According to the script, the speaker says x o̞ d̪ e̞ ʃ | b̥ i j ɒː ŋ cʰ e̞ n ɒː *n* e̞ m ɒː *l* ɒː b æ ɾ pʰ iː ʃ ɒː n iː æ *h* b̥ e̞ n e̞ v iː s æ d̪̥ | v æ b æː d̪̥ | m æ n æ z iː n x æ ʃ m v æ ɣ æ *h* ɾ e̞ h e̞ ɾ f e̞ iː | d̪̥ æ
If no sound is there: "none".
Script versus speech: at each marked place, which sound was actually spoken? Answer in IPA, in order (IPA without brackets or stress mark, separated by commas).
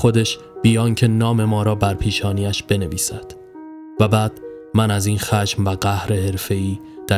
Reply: m, ɾ, ʃ, h